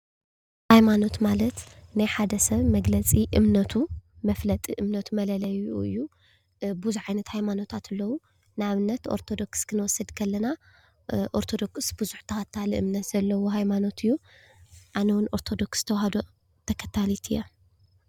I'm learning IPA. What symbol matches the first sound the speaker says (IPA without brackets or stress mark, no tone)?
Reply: h